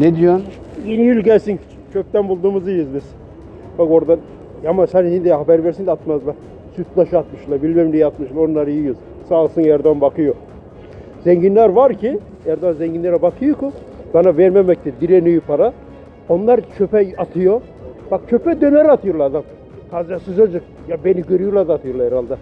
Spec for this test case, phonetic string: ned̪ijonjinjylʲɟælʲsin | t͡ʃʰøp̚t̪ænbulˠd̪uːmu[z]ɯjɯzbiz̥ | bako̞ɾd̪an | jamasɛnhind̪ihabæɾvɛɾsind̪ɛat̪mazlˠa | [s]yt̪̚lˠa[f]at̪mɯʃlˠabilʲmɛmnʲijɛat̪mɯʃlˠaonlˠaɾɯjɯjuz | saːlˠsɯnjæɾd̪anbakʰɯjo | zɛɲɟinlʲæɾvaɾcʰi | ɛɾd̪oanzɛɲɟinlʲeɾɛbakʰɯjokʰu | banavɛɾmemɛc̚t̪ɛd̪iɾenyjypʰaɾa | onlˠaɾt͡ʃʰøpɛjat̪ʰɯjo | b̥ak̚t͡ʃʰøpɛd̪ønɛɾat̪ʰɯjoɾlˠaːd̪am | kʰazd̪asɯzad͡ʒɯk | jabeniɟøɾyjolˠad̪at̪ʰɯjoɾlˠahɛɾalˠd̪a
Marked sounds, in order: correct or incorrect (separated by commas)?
correct, correct, incorrect